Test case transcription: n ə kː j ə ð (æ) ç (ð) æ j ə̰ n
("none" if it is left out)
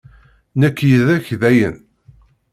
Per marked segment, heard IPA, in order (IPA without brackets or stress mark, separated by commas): æ, ð